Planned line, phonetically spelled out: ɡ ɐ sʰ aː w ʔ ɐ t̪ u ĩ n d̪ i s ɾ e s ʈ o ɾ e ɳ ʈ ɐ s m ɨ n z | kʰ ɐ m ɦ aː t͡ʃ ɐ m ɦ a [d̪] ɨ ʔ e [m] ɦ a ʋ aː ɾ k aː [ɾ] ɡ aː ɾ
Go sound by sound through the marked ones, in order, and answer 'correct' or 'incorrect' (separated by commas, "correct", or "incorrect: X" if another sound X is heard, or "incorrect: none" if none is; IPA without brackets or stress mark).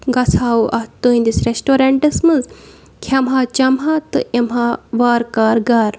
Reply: incorrect: t̪, correct, correct